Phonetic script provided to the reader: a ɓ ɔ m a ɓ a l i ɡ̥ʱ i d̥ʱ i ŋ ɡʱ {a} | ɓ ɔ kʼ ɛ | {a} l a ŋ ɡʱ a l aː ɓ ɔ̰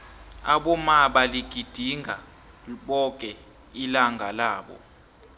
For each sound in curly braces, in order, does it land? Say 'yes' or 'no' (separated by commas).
yes, no